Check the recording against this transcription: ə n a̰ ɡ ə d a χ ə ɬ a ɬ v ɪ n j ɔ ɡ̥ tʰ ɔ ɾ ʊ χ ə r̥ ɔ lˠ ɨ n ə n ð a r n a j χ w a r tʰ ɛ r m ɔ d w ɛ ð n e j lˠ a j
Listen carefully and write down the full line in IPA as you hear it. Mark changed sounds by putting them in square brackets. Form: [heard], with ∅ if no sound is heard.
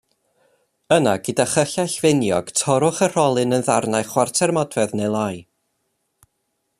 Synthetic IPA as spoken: ə n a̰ ɡ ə d a χ ə ɬ a ɬ v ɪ n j ɔ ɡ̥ tʰ ɔ ɾ ʊ χ ə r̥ ɔ lˠ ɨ n ə n ð a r n a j χ w a r tʰ ɛ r m ɔ d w ɛ ð n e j lˠ a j